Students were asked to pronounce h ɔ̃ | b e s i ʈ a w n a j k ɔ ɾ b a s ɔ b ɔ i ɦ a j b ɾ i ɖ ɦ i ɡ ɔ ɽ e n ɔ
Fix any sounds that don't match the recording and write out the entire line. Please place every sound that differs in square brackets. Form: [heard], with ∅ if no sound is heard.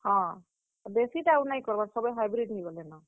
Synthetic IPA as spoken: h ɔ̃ | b e s i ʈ a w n a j k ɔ ɾ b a s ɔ b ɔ [j] ɦ a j b ɾ i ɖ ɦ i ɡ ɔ [l] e n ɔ